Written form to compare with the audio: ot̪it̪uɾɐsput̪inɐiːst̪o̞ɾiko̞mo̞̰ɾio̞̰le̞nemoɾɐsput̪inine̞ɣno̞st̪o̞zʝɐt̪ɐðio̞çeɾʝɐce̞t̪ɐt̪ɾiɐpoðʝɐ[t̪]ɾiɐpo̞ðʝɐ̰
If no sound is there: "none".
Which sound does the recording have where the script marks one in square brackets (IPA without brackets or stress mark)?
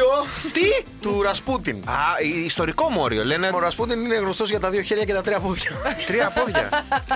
t̪